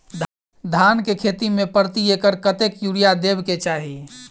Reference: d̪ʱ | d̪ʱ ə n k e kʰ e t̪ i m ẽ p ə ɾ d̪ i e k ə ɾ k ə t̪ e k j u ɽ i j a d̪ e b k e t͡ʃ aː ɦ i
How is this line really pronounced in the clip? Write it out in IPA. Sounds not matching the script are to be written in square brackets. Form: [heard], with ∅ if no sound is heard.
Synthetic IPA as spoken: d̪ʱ | d̪ʱ [a] n k e kʰ e t̪ i m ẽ p ə ɾ [t̪] i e k ə ɾ k ə t̪ e k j u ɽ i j a d̪ e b k e t͡ʃ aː ɦ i